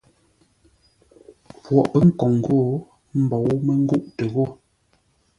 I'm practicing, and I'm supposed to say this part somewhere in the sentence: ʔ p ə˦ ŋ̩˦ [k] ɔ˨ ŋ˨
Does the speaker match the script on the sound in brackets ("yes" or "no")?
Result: yes